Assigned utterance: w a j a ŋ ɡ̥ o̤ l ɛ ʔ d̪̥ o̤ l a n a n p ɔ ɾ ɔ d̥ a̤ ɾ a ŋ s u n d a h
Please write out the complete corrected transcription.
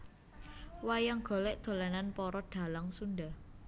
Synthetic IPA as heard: w a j a ŋ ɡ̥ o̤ l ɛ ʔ d̪̥ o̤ l a n a n p ɔ ɾ ɔ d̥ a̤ l a ŋ s u n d a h